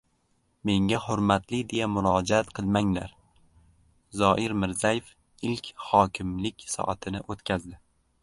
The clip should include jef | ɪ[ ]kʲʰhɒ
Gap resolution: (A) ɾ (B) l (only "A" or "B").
B